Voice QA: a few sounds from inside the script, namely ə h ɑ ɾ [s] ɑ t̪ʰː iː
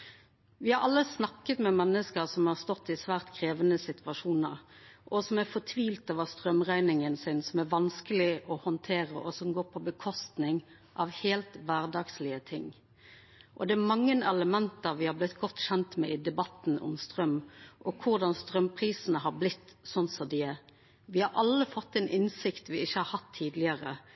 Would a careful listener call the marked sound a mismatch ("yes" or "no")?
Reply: yes